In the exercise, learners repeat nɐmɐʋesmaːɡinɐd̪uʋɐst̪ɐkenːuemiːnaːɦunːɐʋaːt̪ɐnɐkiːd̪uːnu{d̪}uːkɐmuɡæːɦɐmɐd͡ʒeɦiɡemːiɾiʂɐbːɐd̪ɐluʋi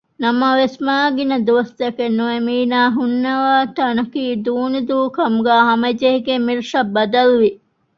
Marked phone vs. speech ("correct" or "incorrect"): correct